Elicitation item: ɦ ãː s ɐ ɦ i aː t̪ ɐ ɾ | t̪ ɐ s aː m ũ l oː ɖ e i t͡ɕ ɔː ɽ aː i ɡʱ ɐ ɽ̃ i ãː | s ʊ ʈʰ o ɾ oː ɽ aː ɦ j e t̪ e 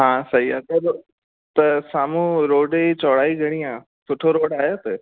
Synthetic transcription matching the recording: ɦ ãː s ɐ ɦ i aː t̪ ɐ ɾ | t̪ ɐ s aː m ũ ɾ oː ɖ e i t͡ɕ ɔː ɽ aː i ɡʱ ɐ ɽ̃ i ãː | s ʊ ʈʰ o ɾ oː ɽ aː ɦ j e t̪ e